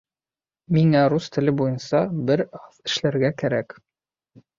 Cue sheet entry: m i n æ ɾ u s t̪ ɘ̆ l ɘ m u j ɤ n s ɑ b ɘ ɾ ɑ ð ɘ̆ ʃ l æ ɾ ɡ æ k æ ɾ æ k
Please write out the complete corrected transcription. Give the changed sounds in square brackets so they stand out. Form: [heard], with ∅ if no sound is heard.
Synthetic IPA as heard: m i [ŋ] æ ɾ u s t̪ ɘ̆ l ɘ [b] u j ɤ n s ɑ b ɘ ɾ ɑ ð ɘ̆ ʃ l æ ɾ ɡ æ k æ ɾ æ k